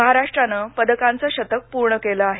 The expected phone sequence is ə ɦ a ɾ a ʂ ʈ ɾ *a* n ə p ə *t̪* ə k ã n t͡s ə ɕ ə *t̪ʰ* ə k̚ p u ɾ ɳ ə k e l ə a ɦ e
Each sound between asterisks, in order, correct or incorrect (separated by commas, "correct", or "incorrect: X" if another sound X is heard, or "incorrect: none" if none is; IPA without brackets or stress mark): correct, incorrect: d̪, incorrect: t̪